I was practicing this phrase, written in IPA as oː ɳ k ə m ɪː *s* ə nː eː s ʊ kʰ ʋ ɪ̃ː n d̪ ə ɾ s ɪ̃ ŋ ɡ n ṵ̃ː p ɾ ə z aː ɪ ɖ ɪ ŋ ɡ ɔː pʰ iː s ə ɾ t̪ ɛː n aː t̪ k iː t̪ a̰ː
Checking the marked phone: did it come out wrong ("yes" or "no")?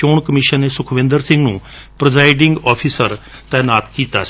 yes